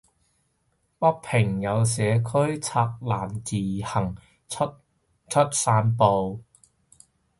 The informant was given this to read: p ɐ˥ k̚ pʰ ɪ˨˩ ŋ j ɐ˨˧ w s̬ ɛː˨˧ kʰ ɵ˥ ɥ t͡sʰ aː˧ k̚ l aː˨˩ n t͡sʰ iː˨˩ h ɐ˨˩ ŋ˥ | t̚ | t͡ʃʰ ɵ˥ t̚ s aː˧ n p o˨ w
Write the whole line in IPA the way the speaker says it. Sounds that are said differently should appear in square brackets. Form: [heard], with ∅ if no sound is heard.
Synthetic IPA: p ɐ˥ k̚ pʰ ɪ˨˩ ŋ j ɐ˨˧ w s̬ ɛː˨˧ kʰ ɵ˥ ɥ t͡sʰ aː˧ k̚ l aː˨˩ n [t͡s] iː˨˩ h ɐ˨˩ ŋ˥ | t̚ | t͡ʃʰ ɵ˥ t̚ s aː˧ n p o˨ w

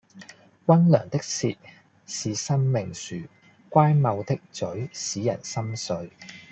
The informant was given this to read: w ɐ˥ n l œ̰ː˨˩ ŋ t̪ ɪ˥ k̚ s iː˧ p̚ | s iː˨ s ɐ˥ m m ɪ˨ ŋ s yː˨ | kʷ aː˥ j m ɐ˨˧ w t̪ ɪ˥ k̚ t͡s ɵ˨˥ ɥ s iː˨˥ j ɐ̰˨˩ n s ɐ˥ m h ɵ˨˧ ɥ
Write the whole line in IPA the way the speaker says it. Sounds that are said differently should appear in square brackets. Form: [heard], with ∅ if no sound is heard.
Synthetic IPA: w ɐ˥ n l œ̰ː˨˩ ŋ t̪ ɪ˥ k̚ s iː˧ [t̚] | s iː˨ s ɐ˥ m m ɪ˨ ŋ s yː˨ | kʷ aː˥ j m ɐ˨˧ w t̪ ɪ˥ k̚ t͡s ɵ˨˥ ɥ s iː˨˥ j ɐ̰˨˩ n s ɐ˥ m [s] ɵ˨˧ ɥ

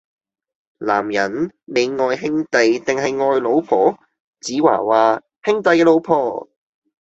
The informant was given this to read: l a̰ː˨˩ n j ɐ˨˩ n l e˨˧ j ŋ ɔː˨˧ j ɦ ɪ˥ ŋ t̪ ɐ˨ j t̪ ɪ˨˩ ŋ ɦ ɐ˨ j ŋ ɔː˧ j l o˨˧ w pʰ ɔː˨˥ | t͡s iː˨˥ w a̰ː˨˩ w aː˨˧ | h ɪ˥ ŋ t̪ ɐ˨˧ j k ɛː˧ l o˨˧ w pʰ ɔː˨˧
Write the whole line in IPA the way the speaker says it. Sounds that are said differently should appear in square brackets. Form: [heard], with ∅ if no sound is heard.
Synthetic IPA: l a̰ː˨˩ [m] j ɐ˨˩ n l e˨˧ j ŋ ɔː˨˧ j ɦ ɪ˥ ŋ t̪ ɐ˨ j t̪ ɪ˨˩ ŋ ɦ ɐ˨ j ŋ ɔː˧ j l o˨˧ w pʰ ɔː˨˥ | t͡s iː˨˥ w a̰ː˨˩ w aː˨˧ | h ɪ˥ ŋ t̪ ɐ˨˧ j k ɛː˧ l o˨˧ w pʰ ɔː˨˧

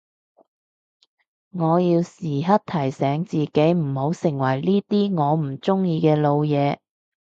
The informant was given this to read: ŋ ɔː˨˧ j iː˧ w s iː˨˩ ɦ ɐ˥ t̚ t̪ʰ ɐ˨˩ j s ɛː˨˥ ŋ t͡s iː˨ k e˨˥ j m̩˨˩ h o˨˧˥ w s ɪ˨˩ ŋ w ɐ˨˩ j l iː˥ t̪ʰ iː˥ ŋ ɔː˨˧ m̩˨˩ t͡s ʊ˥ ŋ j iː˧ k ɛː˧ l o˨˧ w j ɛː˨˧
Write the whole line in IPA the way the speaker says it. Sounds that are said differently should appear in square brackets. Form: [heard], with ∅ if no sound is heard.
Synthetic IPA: ŋ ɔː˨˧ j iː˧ w s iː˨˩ ɦ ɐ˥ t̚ t̪ʰ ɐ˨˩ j s ɛː˨˥ ŋ t͡s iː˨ k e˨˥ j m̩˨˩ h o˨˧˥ w s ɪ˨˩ ŋ w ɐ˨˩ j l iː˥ [t̪] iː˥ ŋ ɔː˨˧ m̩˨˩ t͡s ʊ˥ ŋ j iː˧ k ɛː˧ l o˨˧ w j ɛː˨˧

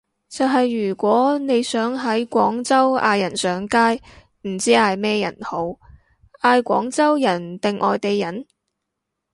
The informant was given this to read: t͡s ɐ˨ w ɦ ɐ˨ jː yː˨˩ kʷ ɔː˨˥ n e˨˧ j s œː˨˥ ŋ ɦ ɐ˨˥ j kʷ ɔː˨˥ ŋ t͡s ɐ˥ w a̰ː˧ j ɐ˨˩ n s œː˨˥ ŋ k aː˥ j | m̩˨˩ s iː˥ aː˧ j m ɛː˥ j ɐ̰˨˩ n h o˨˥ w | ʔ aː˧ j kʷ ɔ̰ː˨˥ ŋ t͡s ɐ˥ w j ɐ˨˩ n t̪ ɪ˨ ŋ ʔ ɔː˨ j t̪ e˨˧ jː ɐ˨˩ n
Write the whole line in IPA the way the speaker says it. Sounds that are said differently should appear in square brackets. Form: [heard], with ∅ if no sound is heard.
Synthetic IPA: t͡s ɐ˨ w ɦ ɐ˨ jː yː˨˩ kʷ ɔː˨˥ n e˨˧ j s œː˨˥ ŋ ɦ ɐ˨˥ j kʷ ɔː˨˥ ŋ t͡s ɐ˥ w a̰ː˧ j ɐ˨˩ n s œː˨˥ ŋ k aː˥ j | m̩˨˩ [t͡s] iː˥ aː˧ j m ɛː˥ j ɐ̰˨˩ n h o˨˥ w | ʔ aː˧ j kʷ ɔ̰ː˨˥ ŋ t͡s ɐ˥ w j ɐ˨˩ n t̪ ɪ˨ ŋ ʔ ɔː˨ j t̪ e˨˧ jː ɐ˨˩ n

